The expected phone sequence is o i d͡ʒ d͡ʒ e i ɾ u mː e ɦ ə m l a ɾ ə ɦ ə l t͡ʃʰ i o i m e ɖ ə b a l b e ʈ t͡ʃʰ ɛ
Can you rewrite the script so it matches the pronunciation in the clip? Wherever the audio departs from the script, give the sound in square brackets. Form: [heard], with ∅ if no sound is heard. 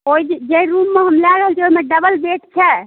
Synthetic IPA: o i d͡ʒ d͡ʒ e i ɾ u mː e ɦ ə m l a ɾ ə ɦ ə l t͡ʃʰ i o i m e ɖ ə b [ə] l b e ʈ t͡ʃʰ ɛ